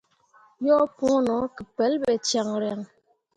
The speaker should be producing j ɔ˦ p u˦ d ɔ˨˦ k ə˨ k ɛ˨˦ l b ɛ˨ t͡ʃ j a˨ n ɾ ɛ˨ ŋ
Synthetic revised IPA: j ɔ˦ p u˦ n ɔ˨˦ k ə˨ p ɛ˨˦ l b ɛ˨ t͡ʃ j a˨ ŋ ɾ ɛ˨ ŋ